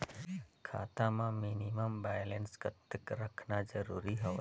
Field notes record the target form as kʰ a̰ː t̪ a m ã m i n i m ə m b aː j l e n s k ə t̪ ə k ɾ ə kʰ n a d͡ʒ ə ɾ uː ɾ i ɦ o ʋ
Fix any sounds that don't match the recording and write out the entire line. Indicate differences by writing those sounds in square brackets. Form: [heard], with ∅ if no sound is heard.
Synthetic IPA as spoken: kʰ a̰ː t̪ a m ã m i n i m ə m b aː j l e n s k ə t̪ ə k ɾ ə kʰ n a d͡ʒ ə ɾ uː ɾ i ɦ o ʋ